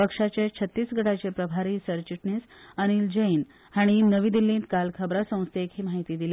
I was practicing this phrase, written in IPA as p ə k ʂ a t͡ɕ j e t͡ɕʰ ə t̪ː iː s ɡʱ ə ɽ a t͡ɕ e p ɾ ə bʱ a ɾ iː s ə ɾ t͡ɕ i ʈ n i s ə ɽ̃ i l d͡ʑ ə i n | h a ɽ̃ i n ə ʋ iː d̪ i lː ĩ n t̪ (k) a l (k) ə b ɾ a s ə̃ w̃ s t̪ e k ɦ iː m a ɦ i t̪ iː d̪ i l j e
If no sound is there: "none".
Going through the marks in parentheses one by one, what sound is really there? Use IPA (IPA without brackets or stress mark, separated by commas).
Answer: k, kʰ